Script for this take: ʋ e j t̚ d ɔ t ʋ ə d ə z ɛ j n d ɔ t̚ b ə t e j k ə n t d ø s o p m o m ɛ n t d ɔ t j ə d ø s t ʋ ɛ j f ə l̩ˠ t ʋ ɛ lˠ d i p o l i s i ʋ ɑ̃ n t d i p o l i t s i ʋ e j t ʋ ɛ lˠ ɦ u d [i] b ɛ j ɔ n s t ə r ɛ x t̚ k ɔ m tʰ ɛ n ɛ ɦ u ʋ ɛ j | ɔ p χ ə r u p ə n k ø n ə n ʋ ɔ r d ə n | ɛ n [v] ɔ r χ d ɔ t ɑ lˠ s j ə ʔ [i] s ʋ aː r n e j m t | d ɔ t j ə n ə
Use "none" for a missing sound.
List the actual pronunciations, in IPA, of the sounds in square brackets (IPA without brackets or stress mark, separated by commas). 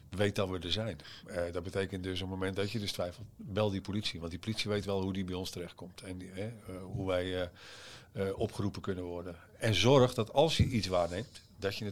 i, z, i